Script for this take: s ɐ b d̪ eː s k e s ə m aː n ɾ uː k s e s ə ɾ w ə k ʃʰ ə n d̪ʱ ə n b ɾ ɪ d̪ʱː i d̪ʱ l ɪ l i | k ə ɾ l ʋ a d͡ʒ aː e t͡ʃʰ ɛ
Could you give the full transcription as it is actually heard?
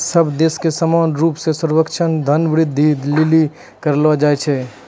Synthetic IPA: s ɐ b d̪ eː s k e s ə m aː n ɾ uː p s e s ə ɾ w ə k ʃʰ ə n d̪ʱ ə n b ɾ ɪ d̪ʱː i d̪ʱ l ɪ l i | k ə ɾ l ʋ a d͡ʒ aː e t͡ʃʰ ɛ